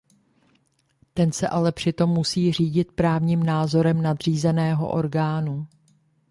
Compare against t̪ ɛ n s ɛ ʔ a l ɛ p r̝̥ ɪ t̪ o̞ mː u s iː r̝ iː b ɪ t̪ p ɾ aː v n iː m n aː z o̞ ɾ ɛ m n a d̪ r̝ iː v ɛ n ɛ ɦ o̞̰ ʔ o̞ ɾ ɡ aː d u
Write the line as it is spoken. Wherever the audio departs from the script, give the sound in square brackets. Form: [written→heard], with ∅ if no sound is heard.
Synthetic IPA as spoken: t̪ ɛ n s ɛ ʔ a l ɛ p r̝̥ ɪ t̪ o̞ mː u s iː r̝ iː [b→ɟ] ɪ t̪ p ɾ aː v [n→ɲ] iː m n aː z o̞ ɾ ɛ m n a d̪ r̝ iː [v→z] ɛ n [ɛ→ɛː] ɦ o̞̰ ʔ o̞ ɾ ɡ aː [d→n] u

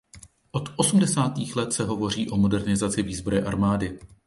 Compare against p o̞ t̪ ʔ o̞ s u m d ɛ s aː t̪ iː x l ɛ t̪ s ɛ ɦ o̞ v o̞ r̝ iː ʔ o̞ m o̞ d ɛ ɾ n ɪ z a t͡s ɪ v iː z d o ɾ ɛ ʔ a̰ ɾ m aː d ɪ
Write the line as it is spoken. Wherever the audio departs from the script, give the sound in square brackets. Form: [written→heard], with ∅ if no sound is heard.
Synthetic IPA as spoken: [p→ʔ] o̞ t̪ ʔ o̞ s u m d ɛ s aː t̪ iː x l ɛ t̪ s ɛ ɦ o̞ v o̞ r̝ iː ʔ o̞ m o̞ d ɛ ɾ n ɪ z a t͡s ɪ v iː z [d→b] o ɾ ɛ ʔ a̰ ɾ m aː d ɪ

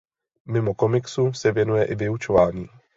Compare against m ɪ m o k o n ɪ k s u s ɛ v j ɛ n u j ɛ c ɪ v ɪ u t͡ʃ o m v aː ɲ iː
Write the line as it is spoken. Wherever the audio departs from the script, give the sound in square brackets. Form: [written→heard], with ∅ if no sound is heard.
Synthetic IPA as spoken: m ɪ m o k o [n→m] ɪ k s u s ɛ v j ɛ n u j ɛ [c→ʔ] ɪ v ɪ u t͡ʃ o [m→∅] v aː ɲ iː

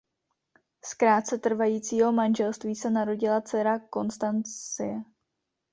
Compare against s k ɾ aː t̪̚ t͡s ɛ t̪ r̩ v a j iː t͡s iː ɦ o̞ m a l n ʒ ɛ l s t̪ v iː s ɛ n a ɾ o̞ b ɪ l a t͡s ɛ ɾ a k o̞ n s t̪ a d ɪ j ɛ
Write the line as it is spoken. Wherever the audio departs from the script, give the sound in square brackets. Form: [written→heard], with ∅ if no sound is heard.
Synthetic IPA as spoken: s k ɾ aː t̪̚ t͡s ɛ t̪ r̩ v a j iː t͡s iː ɦ o̞ m a [l→∅] n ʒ ɛ l s t̪ v iː s ɛ n a ɾ o̞ [b→ɟ] ɪ l a t͡s ɛ ɾ a k o̞ n s t̪ a [d→n] ɪ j ɛ

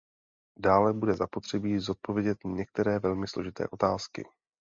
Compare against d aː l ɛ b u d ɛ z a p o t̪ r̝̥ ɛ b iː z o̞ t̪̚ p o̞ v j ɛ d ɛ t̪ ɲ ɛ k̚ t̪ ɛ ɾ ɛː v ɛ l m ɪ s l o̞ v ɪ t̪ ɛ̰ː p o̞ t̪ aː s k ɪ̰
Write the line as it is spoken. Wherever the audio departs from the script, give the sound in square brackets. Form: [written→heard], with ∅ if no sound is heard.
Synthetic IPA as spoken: d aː l ɛ b u d ɛ z a p o t̪ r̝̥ ɛ b iː z o̞ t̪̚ p o̞ v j ɛ [d→ɟ] ɛ t̪ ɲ ɛ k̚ t̪ ɛ ɾ ɛː v ɛ l m ɪ s l o̞ [v→ʒ] ɪ t̪ ɛ̰ː [p→ʔ] o̞ t̪ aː s k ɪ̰

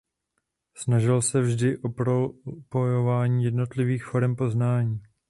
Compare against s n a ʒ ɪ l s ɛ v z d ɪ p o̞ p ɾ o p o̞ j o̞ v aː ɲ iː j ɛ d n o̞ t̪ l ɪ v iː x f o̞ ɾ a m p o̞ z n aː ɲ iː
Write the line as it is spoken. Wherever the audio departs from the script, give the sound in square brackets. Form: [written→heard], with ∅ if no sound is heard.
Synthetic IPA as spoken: s n a ʒ ɪ l s ɛ v [z→ʒ] d ɪ [p→ʔ] o̞ p ɾ o p o̞ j o̞ v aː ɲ iː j ɛ d n o̞ t̪ l ɪ v iː x f o̞ ɾ [a→ɛ] m p o̞ z n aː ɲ iː

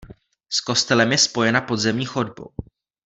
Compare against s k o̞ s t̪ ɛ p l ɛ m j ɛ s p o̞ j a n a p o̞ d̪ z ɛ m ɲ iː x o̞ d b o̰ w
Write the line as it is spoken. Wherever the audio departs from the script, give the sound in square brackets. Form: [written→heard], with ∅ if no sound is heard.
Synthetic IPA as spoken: s k o̞ s t̪ ɛ [p→∅] l ɛ m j ɛ s p o̞ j [a→ɛ] n a p o̞ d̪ z ɛ m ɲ iː x o̞ d b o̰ w

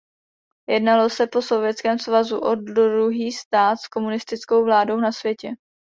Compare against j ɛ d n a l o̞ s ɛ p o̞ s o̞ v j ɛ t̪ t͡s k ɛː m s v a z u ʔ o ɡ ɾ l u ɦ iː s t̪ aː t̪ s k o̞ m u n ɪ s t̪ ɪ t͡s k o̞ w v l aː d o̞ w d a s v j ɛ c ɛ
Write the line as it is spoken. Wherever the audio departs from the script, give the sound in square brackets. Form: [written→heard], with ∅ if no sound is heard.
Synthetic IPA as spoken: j ɛ d n a l o̞ s ɛ p o̞ s o̞ v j ɛ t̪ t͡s k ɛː m s v a z u ʔ o [ɡ→d] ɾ [l→ɾ] u ɦ iː s t̪ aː t̪ s k o̞ m u n ɪ s t̪ ɪ t͡s k o̞ w v l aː d o̞ w [d→n] a s v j ɛ c ɛ

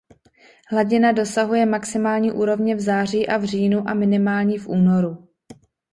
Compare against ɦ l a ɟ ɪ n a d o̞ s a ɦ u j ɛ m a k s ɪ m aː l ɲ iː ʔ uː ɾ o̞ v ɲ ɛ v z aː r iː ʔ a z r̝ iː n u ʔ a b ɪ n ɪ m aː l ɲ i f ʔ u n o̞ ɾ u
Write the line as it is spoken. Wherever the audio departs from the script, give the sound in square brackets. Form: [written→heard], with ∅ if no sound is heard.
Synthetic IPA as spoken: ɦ l a ɟ ɪ n a d o̞ s a ɦ u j ɛ m a k s ɪ m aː l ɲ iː ʔ uː ɾ o̞ v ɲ ɛ v z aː r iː ʔ a [z→v] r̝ iː n u ʔ a [b→m] ɪ n ɪ m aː l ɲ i f ʔ [u→uː] n o̞ ɾ u

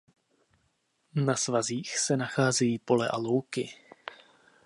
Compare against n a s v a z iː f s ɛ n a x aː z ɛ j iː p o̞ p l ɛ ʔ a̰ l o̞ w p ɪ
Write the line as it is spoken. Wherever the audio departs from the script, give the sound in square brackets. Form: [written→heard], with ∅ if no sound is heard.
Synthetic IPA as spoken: n a s v a z iː [f→x] s ɛ n a x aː z ɛ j iː p o̞ [p→∅] l ɛ ʔ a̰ l o̞ w [p→k] ɪ

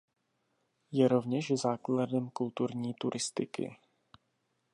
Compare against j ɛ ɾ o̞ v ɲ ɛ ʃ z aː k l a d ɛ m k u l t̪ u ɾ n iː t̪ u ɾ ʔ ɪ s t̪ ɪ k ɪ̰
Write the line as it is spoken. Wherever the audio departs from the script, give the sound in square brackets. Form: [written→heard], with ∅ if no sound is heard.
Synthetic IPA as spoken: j ɛ ɾ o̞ v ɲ ɛ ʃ z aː k l a d ɛ m k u l t̪ u ɾ [n→ɲ] iː t̪ u ɾ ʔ ɪ s t̪ ɪ k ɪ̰

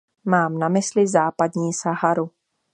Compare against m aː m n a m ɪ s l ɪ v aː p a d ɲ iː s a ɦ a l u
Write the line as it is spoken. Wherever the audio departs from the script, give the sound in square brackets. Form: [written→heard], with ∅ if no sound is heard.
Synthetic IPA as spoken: m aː m n a m ɪ s l ɪ [v→z] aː p a d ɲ iː s a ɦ a [l→ɾ] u

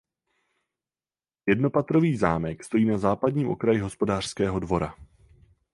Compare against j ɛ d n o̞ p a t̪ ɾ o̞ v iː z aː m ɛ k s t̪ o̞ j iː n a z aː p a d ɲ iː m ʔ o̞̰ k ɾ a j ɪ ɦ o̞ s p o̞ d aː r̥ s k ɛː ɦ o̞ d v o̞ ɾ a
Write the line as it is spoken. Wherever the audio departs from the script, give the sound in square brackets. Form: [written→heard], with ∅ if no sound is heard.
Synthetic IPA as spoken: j ɛ d n o̞ p a t̪ ɾ o̞ v iː z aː m ɛ k s t̪ o̞ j iː n a z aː p a d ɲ iː m ʔ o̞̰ k ɾ a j ɪ ɦ o̞ s p o̞ d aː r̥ s k ɛː ɦ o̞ d v o̞ ɾ a

